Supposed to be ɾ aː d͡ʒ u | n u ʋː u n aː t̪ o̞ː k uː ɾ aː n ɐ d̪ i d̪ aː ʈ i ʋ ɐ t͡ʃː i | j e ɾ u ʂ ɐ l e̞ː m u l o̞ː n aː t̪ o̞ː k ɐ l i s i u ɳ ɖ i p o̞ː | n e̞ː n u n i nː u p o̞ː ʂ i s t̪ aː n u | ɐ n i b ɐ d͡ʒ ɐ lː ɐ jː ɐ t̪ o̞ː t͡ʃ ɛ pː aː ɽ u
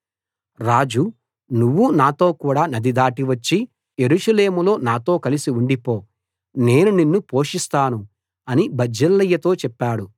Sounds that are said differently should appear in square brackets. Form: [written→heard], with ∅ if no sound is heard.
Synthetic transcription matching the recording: ɾ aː d͡ʒ u | n u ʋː u n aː t̪ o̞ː k uː [ɾ→ɽ] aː n ɐ d̪ i d̪ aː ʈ i ʋ ɐ t͡ʃː i | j e ɾ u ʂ ɐ l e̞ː m u l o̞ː n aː t̪ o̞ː k ɐ l i s i u ɳ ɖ i p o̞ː | n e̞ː n u n i nː u p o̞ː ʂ i s t̪ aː n u | ɐ n i b ɐ d͡ʒ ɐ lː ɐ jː ɐ t̪ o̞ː t͡ʃ ɛ pː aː ɽ u